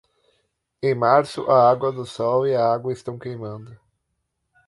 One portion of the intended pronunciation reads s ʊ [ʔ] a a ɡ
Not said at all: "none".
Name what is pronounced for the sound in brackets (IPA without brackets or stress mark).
ʔ